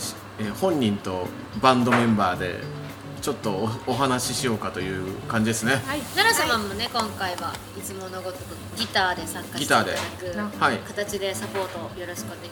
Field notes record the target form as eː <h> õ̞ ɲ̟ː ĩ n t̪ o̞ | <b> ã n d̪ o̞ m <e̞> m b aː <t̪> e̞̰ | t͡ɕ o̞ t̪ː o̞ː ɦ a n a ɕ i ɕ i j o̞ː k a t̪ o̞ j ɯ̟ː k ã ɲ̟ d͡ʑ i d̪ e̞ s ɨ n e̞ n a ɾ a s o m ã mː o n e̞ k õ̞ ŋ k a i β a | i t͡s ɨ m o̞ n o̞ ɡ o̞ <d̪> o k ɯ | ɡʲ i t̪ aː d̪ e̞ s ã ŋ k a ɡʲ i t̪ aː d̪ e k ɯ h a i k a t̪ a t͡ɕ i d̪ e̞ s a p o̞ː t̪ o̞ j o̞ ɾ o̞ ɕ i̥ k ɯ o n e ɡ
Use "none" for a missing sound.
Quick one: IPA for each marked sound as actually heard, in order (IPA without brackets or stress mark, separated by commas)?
h, b, ẽ̞, d̪, t̪